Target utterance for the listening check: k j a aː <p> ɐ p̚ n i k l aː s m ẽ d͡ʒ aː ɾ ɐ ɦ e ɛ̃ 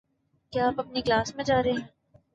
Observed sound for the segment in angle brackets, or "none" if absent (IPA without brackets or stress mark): p